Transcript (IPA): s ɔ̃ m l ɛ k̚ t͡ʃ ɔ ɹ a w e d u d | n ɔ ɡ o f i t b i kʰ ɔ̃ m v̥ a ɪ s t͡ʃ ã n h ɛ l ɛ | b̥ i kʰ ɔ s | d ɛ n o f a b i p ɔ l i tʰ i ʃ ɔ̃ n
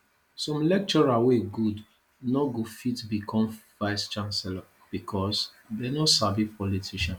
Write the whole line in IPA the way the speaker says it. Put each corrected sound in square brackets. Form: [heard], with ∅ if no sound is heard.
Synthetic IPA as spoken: s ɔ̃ m l ɛ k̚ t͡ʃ ɔ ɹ a w e [ɡ] u d | n ɔ ɡ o f i t b i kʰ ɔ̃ m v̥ a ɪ s t͡ʃ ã n [s] ɛ l [a] | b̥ i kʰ ɔ s | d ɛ n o [s] a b i p ɔ l i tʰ i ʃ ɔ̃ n